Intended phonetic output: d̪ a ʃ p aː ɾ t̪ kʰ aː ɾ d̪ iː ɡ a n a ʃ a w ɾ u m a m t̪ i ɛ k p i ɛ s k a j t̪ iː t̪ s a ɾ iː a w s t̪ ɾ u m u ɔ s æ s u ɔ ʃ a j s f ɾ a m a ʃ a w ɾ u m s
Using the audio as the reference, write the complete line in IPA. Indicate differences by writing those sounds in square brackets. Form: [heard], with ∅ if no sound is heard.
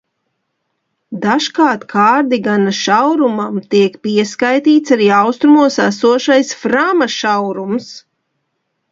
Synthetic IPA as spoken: d̪ a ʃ [k] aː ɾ t̪ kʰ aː ɾ d̪ [i] ɡ a n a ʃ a w ɾ u m a m t̪ i ɛ k p i ɛ s k a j t̪ iː t̪ s a ɾ iː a w s t̪ ɾ u m u ɔ s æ s u ɔ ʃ a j s f ɾ a m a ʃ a w ɾ u m s